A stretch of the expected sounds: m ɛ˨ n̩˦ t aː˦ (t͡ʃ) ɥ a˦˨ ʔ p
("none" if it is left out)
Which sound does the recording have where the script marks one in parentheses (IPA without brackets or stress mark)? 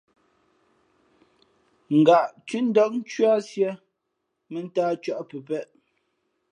t͡ʃ